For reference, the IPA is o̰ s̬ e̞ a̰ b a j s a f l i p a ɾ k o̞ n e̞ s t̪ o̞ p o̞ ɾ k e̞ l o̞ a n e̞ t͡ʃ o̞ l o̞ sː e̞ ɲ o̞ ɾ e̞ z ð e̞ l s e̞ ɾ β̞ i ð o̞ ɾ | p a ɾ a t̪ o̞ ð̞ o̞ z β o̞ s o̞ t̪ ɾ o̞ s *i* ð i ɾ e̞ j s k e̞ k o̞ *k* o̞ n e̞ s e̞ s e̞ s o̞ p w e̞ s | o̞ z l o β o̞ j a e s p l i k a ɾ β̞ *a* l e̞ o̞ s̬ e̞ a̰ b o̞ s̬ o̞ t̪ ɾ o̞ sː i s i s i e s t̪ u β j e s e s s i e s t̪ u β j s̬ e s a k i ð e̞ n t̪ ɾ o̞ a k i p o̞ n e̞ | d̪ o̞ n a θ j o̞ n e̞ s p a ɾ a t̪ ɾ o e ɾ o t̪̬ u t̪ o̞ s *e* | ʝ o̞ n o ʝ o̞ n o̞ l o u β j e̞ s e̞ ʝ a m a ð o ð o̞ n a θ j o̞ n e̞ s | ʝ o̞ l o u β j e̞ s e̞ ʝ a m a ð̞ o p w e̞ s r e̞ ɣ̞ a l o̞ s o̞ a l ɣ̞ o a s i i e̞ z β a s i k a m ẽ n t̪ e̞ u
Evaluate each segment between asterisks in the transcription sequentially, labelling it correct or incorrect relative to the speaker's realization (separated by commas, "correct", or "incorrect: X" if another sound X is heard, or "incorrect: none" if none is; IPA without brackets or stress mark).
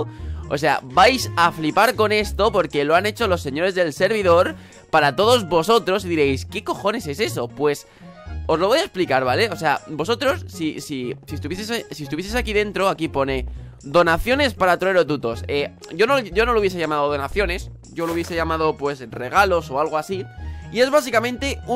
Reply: correct, incorrect: x, correct, correct